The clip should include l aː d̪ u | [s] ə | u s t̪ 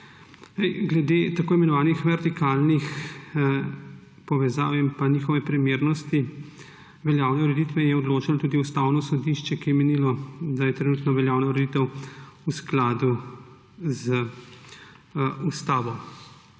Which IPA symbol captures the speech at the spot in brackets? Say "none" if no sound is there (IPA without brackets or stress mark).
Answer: z